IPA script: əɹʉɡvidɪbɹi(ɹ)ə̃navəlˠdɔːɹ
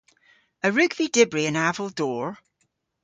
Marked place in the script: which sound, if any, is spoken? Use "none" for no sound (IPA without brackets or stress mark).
none